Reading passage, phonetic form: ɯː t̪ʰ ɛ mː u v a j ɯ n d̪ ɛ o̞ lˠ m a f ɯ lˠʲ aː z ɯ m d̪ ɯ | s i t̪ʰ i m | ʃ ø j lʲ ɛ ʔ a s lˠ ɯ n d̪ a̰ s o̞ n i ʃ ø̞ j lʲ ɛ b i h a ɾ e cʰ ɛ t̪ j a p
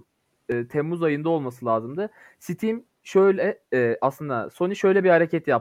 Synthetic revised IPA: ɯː t̪ʰ ɛ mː u z a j ɯ n d̪ a o̞ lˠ m a s ɯ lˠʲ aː z ɯ m d̪ ɯ | s i t̪ʰ i m | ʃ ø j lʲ ɛ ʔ a s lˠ ɯ n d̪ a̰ s o̞ n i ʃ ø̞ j lʲ ɛ b i h a ɾ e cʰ ɛ t̪ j a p